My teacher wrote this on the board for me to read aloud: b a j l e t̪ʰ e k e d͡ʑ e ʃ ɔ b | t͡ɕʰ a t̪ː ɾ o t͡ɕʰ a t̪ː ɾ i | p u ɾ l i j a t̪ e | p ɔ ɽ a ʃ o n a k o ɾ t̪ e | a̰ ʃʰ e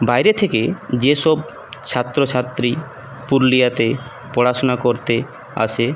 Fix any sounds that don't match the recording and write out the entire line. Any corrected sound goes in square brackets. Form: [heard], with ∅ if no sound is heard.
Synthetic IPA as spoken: b a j [ɾ] e t̪ʰ e k e d͡ʑ e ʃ ɔ b | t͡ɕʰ a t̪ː ɾ o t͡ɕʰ a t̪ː ɾ i | p u ɾ l i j a t̪ e | p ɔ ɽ a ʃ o n a k o ɾ t̪ e | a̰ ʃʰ e